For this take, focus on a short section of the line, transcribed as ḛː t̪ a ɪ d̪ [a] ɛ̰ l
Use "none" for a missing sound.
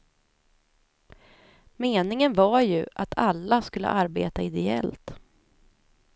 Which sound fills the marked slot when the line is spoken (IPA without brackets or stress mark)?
ɛ